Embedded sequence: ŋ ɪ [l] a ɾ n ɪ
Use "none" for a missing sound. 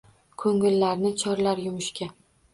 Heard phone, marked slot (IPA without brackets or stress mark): lː